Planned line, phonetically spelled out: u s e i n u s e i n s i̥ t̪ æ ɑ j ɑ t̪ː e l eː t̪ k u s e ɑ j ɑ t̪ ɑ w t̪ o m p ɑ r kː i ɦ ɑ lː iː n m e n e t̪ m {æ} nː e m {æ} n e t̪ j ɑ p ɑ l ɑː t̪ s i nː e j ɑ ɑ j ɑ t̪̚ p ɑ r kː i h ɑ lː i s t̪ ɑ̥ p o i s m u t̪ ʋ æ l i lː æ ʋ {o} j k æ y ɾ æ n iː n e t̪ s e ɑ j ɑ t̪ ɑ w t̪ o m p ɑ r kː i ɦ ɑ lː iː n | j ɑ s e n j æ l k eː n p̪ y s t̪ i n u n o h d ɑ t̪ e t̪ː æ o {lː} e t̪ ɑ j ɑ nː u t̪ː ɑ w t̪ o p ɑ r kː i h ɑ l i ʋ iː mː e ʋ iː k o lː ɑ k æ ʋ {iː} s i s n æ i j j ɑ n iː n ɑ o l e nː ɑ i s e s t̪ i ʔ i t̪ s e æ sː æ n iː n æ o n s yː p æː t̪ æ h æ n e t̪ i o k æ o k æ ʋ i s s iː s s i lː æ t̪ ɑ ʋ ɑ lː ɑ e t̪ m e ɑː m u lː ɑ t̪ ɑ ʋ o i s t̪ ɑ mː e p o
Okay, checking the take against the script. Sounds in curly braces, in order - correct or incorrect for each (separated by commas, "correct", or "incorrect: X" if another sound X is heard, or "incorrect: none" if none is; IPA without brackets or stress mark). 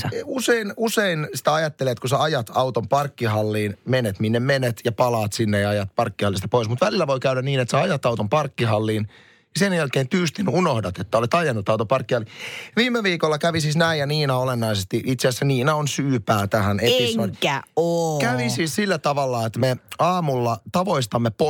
incorrect: i, incorrect: e, correct, incorrect: l, incorrect: i